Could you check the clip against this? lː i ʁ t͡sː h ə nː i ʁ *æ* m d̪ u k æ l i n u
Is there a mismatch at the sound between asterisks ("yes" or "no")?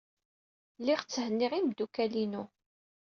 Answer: yes